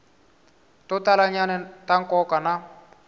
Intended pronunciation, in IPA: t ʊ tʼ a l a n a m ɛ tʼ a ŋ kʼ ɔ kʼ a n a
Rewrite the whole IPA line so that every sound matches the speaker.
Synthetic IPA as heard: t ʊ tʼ a l a ɲ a n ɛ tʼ a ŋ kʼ ɔ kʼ a n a

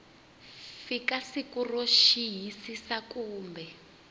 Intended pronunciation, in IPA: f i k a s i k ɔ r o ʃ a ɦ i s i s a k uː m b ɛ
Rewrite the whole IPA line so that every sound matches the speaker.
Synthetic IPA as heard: f i k a s i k u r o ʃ i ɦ i s i s a k uː m b ɛ

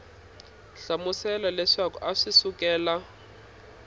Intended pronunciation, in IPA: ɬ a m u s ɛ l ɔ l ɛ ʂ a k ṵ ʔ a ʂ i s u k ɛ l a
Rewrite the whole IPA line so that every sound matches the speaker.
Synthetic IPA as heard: ɬ a m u s ɛ l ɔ l ɛ ʂ a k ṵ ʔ a ʂ i s u k ɛː l a

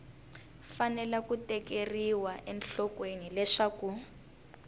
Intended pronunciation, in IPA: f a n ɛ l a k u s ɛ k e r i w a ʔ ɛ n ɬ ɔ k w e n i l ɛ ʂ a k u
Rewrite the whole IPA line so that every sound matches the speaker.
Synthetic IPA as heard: f a n ɛ l a k u t ɛ k e r i w a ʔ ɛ n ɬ ɔ k w e n i l ɛ ʂ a k u

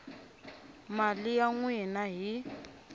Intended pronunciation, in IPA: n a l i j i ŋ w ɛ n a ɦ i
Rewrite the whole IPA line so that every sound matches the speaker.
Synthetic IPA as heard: m a l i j a ŋ w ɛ n a ɦ i

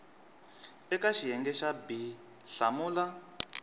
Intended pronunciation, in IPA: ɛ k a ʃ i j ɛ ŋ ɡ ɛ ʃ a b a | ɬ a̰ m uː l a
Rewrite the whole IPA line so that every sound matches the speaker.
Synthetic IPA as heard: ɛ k a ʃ i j ɛ ŋ ɡ ɛ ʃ a b i | ɬ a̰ m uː l a

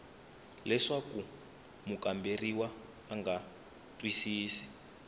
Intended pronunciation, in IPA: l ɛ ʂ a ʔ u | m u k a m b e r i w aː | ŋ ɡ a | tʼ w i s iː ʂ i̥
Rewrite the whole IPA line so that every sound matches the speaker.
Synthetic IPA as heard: l ɛ ʂ a k u | m u k a m b e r i w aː | ŋ ɡ a | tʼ w i s iː s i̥

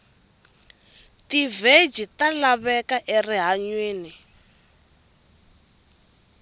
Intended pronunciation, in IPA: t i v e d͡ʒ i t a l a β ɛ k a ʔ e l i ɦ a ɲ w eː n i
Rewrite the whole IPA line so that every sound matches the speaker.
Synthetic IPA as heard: t i v e d͡ʒ i t a l a β ɛ k a ʔ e r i ɦ a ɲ w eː n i

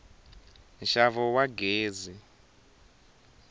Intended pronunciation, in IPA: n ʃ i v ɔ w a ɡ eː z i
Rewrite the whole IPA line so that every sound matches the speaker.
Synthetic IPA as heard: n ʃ a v ɔ w a ɡ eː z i

